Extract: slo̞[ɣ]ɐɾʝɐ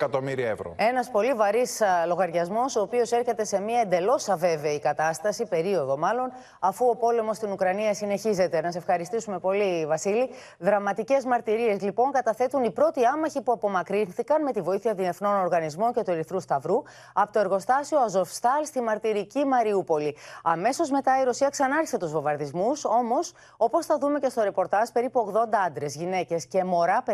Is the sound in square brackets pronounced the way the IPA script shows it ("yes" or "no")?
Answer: yes